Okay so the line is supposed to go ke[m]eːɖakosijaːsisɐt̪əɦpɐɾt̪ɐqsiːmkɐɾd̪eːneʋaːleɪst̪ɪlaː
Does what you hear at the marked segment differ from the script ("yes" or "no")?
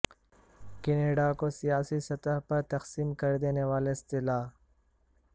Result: yes